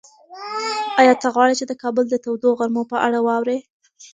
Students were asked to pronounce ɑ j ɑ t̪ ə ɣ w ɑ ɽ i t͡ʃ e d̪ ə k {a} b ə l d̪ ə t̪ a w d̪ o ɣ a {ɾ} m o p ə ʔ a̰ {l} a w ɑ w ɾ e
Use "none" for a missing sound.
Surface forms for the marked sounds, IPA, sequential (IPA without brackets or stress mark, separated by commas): ɑ, ɾ, ɽ